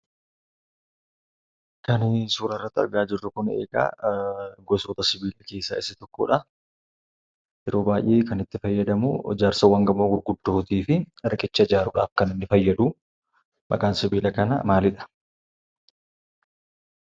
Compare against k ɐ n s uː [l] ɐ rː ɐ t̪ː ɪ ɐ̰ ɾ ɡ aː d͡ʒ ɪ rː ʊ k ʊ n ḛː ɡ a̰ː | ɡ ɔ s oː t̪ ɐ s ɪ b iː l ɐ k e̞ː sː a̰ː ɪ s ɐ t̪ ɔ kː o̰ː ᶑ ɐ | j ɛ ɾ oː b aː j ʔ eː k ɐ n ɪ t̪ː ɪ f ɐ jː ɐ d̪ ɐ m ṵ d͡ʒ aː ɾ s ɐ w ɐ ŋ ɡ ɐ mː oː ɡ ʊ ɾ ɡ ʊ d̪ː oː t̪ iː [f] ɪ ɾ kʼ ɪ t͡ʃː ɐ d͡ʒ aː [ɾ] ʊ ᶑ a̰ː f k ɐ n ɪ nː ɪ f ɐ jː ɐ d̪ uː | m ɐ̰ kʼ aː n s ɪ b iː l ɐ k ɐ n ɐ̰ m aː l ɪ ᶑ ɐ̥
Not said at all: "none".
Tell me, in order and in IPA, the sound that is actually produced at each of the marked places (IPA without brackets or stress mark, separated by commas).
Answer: ɾ, f, ɾ